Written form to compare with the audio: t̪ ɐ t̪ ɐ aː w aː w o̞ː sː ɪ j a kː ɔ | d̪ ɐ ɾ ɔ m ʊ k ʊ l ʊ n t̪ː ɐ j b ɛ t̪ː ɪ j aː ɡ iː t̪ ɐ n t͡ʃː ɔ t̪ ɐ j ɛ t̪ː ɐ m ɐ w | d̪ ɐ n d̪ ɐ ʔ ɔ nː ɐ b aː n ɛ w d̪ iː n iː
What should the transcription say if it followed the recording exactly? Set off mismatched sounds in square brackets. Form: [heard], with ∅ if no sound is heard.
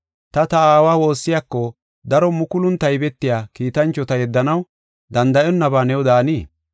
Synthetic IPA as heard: t̪ ɐ t̪ ɐ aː w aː w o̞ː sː ɪ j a kː ɔ | d̪ ɐ ɾ ɔ m ʊ k ʊ l ʊ n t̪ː ɐ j b ɛ t̪ː ɪ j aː [k] iː t̪ ɐ n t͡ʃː ɔ t̪ ɐ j ɛ [d̪ː] ɐ [n] ɐ w | d̪ ɐ n d̪ ɐ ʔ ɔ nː ɐ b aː n ɛ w d̪ [aː] n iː